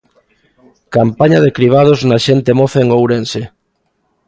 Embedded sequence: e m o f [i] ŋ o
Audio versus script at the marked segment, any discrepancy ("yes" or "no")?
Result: yes